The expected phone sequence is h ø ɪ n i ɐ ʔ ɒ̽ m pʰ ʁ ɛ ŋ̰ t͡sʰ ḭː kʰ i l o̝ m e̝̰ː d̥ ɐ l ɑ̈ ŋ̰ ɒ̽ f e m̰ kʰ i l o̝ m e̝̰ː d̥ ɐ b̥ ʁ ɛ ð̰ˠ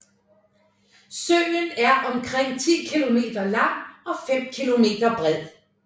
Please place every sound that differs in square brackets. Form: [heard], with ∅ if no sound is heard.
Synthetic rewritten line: [s] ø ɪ n [æ] ɐ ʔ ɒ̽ m [kʰ] ʁ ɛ ŋ̰ t͡sʰ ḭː kʰ i l o̝ m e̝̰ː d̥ ɐ l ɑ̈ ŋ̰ ɒ̽ f e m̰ kʰ i l o̝ m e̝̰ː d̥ ɐ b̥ ʁ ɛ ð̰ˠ